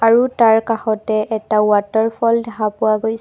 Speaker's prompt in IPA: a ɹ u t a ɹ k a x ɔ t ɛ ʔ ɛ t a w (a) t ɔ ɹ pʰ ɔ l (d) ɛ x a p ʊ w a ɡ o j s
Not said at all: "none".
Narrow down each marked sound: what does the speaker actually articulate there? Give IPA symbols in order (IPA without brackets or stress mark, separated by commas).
a, d